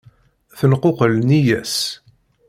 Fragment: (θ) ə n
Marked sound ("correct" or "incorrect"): correct